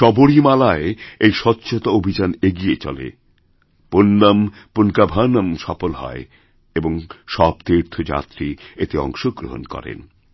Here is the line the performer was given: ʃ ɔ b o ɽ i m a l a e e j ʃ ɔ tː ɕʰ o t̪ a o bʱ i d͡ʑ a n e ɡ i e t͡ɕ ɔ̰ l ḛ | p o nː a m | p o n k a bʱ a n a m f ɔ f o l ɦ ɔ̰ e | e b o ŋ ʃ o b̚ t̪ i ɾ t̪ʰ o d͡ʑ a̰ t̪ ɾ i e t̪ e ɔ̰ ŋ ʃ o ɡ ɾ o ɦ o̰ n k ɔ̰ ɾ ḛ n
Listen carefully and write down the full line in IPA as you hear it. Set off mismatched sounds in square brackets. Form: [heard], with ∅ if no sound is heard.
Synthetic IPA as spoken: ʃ ɔ b o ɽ i m a l a e e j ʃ ɔ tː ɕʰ o t̪ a o bʱ i d͡ʑ a n e ɡ i e t͡ɕ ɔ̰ l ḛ | p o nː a m | p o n k a bʱ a n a m [ʃ] ɔ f o l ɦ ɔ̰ e | e b o ŋ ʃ [ɔ] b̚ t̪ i ɾ t̪ʰ o d͡ʑ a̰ t̪ ɾ i e t̪ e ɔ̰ ŋ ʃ o ɡ ɾ o ɦ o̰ n k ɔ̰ ɾ ḛ n